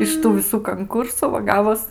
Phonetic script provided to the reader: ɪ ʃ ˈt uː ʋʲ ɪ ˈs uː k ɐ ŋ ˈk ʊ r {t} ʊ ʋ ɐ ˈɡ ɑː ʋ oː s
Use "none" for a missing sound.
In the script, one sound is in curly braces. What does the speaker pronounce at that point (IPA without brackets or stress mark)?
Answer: s